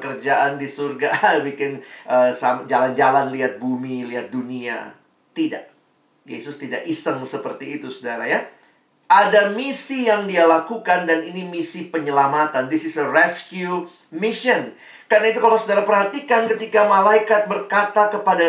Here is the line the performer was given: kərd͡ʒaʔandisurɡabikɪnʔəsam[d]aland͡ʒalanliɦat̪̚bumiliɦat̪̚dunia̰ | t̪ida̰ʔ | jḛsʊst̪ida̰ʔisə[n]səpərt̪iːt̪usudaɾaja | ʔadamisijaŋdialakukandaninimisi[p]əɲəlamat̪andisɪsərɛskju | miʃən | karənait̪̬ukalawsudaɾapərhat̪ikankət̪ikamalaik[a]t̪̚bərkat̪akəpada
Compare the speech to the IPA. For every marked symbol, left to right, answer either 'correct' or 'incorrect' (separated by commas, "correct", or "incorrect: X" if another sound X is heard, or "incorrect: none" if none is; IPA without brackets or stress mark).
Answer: incorrect: d͡ʒ, incorrect: ŋ, correct, correct